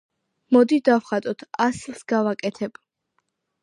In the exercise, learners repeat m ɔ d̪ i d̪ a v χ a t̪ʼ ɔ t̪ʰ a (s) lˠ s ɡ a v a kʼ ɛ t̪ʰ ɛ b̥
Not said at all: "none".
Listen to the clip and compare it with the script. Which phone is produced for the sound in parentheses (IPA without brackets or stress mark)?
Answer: s